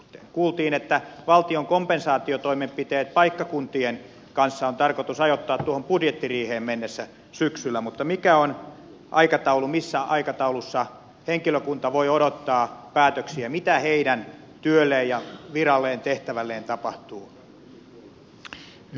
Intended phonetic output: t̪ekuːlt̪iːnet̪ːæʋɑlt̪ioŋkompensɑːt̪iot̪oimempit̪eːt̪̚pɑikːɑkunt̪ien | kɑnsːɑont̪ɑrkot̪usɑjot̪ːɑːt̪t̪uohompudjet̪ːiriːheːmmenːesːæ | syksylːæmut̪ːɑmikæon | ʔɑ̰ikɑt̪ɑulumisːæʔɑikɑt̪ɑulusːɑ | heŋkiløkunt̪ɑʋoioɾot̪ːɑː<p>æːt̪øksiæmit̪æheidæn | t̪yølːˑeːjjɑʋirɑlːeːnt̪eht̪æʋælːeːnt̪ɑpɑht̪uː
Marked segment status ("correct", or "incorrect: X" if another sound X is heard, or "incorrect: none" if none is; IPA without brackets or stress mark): correct